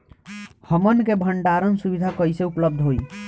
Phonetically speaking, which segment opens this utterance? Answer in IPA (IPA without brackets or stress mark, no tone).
h